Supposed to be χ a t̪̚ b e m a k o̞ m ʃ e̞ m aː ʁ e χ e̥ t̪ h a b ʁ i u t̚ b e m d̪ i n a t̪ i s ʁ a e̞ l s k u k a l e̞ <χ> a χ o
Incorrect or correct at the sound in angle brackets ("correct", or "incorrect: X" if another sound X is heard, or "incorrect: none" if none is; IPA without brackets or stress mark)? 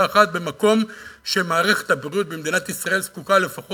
incorrect: f